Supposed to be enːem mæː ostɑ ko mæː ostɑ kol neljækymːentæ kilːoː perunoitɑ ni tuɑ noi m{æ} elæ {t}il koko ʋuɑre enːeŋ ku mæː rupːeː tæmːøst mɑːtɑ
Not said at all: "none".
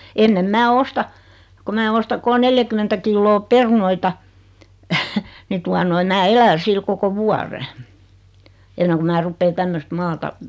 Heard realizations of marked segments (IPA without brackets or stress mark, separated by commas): æː, s